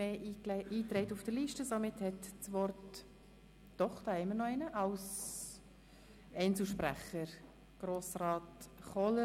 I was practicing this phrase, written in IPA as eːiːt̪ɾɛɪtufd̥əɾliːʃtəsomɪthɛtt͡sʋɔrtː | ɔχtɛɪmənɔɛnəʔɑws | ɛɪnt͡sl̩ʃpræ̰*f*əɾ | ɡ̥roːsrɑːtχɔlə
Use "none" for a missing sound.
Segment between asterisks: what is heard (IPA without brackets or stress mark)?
χ